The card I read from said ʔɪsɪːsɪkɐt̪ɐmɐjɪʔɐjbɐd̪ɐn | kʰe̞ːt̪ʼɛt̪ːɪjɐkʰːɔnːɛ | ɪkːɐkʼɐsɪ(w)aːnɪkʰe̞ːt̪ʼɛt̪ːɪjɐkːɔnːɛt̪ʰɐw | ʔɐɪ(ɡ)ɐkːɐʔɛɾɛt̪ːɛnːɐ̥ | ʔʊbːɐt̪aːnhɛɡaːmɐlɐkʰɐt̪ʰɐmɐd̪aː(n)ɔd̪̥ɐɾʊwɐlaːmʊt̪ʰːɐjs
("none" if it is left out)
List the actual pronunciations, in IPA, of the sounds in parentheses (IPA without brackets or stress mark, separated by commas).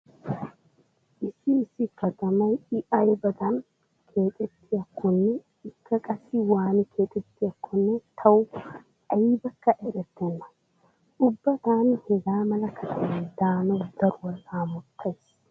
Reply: w, b, n